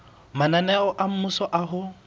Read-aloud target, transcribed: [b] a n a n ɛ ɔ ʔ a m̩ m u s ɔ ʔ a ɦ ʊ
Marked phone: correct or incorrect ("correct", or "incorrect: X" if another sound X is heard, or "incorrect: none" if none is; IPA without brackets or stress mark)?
incorrect: m